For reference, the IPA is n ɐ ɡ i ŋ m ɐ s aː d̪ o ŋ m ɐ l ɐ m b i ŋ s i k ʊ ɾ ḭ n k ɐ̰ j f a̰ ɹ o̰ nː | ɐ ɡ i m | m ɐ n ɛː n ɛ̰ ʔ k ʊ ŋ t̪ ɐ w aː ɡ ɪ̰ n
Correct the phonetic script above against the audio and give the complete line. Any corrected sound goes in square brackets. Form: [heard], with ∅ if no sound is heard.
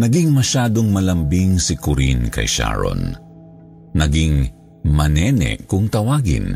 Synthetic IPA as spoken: n ɐ ɡ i ŋ m ɐ [ʃ] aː d̪ o ŋ m ɐ l ɐ m b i ŋ s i k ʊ ɾ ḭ n k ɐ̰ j [ʃ] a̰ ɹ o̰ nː | ɐ ɡ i [ŋ] | m ɐ n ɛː n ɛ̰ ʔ k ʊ ŋ t̪ ɐ w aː ɡ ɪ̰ n